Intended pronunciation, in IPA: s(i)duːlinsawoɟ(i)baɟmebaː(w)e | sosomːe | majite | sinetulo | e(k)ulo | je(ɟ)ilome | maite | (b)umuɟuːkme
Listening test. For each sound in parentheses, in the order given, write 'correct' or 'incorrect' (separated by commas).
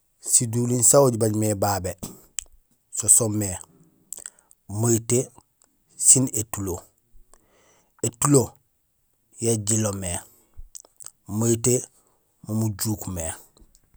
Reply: correct, correct, incorrect, incorrect, correct, incorrect